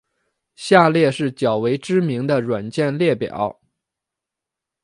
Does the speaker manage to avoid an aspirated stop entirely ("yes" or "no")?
yes